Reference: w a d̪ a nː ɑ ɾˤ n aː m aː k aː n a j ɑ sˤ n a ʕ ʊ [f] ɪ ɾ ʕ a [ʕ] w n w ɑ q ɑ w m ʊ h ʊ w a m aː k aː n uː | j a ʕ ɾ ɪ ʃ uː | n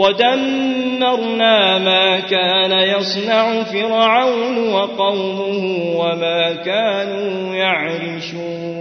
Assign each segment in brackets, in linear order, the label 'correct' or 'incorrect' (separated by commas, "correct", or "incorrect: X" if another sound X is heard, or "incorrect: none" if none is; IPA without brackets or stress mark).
correct, incorrect: none